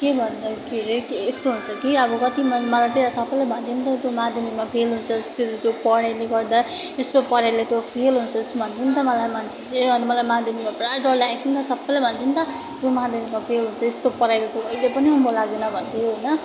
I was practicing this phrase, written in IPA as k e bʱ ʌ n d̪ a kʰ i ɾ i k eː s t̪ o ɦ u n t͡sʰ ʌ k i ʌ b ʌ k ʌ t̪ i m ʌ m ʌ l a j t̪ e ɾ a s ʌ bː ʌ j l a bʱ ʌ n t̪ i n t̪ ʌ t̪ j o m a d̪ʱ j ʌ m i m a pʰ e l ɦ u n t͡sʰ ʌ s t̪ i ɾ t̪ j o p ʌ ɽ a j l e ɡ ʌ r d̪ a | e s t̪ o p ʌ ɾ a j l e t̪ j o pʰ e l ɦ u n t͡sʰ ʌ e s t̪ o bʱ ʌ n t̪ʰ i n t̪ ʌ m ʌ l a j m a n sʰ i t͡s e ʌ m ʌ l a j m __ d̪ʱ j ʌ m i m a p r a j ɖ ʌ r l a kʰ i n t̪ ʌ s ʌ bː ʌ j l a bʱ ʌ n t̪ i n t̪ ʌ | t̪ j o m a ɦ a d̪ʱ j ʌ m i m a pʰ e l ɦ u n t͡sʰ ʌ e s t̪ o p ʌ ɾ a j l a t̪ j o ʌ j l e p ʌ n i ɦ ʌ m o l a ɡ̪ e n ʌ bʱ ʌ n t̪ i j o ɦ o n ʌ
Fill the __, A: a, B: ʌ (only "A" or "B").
A